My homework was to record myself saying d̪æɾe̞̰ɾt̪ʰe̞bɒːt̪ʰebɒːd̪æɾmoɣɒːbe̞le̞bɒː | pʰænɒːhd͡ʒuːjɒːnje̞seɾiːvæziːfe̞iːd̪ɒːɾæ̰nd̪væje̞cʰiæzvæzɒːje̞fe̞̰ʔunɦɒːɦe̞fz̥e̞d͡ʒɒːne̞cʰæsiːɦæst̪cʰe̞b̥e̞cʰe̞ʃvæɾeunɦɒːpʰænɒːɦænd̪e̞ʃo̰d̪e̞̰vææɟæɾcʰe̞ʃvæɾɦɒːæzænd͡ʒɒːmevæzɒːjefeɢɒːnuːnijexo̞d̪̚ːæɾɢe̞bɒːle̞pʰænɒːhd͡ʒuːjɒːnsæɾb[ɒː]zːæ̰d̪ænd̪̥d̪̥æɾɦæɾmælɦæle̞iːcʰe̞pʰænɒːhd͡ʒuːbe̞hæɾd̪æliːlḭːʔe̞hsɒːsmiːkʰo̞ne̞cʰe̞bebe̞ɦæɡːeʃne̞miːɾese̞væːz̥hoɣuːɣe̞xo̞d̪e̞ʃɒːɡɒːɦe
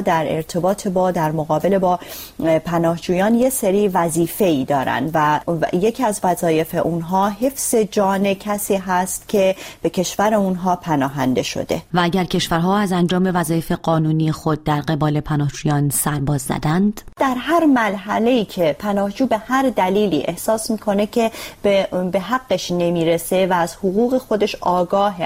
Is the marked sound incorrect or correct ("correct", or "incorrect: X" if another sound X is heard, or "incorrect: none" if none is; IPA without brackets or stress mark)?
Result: correct